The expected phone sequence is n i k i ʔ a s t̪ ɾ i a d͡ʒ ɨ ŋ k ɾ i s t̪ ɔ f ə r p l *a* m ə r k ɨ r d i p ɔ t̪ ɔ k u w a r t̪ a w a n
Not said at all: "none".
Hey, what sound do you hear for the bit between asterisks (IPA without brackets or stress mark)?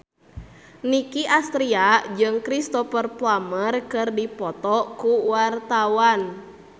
a